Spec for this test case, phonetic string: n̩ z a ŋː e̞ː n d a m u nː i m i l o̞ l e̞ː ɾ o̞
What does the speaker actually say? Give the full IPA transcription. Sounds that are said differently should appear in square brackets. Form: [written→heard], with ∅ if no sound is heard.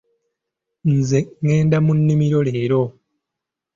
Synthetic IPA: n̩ z [a→e] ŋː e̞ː n d a m u nː i m i [l→ɾ] o̞ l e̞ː ɾ o̞